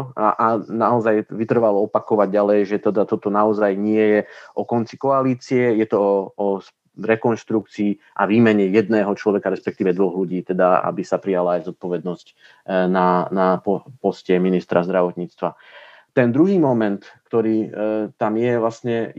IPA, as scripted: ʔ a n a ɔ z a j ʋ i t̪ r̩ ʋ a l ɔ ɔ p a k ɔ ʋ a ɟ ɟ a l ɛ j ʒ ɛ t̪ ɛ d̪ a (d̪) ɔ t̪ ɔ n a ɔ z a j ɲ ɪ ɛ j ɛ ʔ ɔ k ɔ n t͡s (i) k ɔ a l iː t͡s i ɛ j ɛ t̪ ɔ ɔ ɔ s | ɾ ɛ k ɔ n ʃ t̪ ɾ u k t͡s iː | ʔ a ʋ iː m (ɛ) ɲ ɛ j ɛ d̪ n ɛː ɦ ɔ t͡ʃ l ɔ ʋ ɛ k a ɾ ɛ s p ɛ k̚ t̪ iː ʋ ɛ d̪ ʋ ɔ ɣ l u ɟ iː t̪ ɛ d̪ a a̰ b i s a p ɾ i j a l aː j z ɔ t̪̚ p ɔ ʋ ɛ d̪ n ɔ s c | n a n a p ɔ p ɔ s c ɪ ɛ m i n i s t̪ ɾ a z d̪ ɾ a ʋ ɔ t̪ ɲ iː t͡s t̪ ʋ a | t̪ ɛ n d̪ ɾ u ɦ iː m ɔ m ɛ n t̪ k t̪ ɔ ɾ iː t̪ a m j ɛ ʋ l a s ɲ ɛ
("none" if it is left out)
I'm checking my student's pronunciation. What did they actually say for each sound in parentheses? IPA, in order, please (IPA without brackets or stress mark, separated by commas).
t̪, i, ɛ